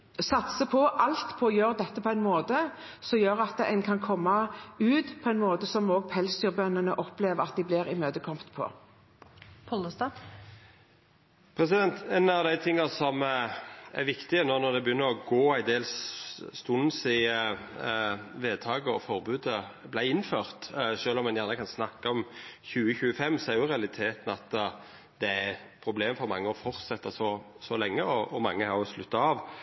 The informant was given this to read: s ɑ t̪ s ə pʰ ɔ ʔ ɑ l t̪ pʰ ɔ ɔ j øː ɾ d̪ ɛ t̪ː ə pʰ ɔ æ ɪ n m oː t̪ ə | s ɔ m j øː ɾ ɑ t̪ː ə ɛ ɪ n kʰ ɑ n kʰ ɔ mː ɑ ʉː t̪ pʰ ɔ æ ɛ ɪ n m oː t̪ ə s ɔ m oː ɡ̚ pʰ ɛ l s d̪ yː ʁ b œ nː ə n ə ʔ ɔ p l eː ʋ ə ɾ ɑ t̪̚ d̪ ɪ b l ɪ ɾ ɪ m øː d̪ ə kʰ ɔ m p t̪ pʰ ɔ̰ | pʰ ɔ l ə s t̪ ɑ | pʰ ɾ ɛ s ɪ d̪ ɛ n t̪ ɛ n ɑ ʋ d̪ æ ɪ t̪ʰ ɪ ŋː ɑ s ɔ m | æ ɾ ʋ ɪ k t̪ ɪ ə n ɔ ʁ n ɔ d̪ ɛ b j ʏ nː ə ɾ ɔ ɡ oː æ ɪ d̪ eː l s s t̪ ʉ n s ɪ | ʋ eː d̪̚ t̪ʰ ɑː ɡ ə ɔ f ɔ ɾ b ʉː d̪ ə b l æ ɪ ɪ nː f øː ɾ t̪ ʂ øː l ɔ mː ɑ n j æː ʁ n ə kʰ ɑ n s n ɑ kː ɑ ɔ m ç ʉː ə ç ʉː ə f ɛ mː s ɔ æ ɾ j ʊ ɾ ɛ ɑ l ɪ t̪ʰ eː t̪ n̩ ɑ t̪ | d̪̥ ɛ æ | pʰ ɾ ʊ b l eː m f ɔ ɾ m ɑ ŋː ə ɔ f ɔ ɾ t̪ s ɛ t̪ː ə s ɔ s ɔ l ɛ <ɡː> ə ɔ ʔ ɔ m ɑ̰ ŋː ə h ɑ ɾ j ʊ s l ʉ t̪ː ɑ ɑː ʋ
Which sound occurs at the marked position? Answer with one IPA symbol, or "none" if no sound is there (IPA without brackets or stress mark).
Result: ŋː